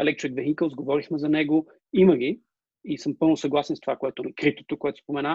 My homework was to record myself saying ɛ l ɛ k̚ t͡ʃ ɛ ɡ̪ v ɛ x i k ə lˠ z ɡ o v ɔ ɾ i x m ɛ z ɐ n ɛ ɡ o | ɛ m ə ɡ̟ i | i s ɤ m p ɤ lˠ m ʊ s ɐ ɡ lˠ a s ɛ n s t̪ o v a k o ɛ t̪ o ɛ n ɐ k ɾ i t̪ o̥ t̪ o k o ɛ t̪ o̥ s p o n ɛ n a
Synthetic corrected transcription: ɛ l ɛ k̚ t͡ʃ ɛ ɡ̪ v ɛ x i k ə lˠ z ɡ o v ɔ ɾ i x m ɛ z ɐ n ɛ ɡ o | i m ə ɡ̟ i | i s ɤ m p ɤ lˠ n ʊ s ɐ ɡ lˠ a s ɛ n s t̪ o v a k o ɛ t̪ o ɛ n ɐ k ɾ i t̪ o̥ t̪ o k o ɛ t̪ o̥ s p o m ɛ n a